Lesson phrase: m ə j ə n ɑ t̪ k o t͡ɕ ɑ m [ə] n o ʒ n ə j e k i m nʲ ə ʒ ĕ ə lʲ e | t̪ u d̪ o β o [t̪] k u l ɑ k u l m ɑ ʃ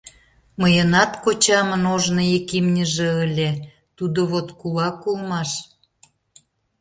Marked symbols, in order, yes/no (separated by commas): yes, yes